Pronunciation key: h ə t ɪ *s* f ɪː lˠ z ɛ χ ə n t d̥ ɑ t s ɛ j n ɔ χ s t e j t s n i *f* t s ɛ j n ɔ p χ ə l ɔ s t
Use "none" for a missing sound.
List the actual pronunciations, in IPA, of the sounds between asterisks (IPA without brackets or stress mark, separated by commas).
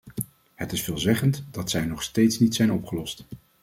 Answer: s, none